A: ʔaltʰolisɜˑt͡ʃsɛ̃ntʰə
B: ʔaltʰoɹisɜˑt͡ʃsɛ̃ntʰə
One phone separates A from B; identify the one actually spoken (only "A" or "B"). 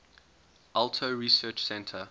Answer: B